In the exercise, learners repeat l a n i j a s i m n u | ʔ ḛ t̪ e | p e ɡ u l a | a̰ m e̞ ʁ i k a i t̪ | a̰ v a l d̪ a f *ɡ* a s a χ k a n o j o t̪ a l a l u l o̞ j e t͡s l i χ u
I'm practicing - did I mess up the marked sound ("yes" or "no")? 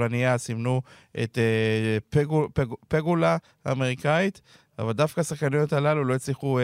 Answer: yes